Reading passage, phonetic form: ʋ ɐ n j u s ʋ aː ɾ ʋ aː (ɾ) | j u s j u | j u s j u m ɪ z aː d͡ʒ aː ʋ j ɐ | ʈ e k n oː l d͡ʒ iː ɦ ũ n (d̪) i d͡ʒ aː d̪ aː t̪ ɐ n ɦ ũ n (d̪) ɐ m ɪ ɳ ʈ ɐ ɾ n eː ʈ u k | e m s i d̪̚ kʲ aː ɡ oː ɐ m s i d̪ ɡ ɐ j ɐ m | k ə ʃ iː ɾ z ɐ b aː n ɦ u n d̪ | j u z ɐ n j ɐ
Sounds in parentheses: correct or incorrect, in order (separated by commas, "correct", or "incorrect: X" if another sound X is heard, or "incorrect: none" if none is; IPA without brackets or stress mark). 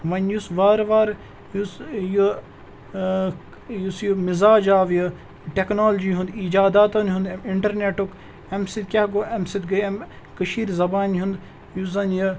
correct, correct, correct